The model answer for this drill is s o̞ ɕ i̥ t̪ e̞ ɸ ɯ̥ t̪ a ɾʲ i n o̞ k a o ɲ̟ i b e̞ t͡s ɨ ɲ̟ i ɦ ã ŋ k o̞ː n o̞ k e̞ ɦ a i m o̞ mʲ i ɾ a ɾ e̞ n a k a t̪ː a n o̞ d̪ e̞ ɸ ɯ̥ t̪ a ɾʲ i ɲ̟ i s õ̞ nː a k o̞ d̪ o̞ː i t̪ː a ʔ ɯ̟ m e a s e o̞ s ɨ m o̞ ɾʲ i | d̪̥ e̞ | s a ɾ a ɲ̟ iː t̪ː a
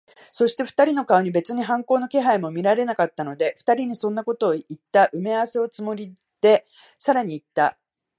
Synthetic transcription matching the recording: s o̞ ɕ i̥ t̪ e̞ ɸ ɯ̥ t̪ a ɾʲ i n o̞ k a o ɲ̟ i b e̞ t͡s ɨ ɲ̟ i ɦ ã ŋ k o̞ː n o̞ k e̞ ɦ a i m o̞ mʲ i ɾ a ɾ e̞ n a k a t̪ː a n o̞ d̪ e̞ ɸ ɯ̥ t̪ a ɾʲ i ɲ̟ i s õ̞ nː a k o̞ t̪ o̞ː i t̪ː a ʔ ɯ̟ m e a s e o̞ t͡s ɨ m o̞ ɾʲ i | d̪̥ e̞ | s a ɾ a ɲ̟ iː t̪ː a